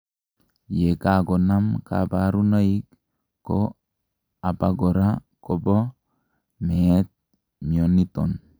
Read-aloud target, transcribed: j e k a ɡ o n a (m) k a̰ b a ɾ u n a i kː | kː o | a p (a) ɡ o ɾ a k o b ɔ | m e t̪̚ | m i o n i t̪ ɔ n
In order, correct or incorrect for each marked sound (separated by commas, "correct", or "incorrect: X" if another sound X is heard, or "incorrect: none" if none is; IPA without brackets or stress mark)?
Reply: correct, correct